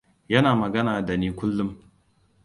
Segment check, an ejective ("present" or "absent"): absent